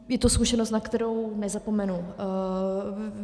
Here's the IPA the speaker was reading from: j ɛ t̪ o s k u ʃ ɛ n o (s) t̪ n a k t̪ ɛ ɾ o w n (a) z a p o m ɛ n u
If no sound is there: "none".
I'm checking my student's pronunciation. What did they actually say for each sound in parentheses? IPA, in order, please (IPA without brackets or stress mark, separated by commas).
s, ɛ